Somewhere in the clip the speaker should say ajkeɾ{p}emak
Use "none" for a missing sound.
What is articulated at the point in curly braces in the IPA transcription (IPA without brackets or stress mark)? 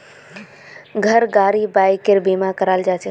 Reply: b